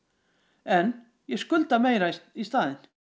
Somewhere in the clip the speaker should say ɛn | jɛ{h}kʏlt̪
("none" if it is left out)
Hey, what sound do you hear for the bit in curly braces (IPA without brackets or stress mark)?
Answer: s